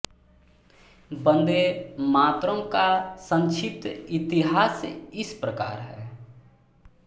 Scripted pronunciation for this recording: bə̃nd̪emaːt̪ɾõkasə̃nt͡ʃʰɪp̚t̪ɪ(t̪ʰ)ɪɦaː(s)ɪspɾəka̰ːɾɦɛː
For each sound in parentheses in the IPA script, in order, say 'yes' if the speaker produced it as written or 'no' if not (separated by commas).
no, yes